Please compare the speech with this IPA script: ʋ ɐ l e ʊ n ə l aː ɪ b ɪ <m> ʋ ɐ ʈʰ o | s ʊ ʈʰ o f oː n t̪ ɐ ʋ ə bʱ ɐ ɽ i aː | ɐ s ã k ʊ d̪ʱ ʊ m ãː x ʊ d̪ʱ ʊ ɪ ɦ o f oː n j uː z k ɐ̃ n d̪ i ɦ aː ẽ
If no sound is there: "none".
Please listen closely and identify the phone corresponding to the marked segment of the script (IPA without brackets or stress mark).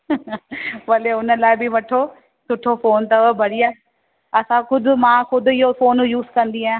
none